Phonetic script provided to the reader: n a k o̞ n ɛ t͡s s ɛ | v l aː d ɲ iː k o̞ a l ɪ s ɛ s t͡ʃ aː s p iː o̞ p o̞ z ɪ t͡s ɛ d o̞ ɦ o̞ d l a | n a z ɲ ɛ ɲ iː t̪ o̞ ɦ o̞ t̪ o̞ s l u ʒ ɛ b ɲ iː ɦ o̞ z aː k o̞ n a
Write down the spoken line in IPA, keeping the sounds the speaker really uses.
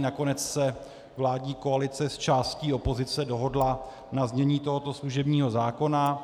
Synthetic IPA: n a k o̞ n ɛ t͡s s ɛ | v l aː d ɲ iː k o̞ a l ɪ t͡s ɛ s t͡ʃ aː s c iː o̞ p o̞ z ɪ t͡s ɛ d o̞ ɦ o̞ d l a | n a z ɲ ɛ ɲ iː t̪ o̞ ɦ o̞ t̪ o̞ s l u ʒ ɛ b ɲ iː ɦ o̞ z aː k o̞ n a